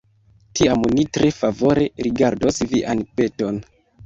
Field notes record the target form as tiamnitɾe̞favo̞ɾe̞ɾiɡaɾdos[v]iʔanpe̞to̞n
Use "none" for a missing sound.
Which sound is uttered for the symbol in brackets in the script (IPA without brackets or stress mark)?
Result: v